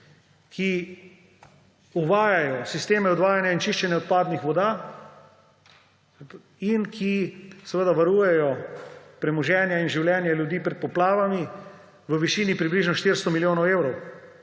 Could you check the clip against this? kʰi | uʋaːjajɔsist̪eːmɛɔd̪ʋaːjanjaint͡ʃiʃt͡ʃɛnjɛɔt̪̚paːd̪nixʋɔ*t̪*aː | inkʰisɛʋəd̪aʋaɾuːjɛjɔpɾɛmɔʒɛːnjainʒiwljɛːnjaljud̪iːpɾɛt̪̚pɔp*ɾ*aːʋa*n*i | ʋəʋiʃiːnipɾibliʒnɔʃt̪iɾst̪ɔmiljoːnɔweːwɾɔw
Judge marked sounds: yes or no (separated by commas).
no, no, no